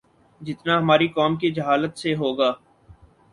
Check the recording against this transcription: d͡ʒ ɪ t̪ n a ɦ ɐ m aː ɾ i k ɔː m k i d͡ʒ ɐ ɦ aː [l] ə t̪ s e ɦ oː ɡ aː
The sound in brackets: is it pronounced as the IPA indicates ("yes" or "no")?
yes